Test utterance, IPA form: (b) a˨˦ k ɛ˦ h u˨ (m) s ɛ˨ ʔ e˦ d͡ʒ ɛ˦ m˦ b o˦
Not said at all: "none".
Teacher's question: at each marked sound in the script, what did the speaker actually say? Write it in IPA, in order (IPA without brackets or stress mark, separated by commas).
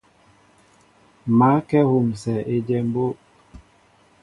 m, m